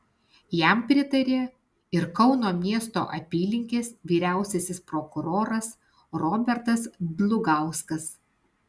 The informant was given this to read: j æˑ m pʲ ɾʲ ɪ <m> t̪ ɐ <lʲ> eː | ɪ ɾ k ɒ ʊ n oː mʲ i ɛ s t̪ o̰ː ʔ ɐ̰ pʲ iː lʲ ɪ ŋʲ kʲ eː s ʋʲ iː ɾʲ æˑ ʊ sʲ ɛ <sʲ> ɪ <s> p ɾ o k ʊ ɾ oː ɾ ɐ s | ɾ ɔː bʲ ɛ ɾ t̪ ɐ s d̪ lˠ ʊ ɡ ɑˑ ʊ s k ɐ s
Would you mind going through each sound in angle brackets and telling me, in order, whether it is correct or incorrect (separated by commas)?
incorrect, incorrect, correct, correct